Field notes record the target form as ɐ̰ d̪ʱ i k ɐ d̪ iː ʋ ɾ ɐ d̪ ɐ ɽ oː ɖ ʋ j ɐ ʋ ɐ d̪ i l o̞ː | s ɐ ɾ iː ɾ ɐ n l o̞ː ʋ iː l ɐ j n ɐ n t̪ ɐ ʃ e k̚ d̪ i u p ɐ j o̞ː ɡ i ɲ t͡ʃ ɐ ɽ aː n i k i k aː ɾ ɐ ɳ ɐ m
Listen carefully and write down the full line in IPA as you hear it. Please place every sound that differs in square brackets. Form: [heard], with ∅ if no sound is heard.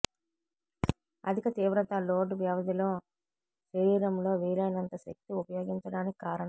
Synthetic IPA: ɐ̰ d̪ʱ i k ɐ [t̪] iː ʋ ɾ ɐ [t̪] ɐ [l] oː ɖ ʋ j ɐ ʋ ɐ d̪ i l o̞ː | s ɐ ɾ iː ɾ ɐ [m] l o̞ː ʋ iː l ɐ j n ɐ n t̪ ɐ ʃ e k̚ [t̪] i u p ɐ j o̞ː ɡ i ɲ t͡ʃ ɐ ɽ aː n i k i k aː ɾ ɐ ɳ ɐ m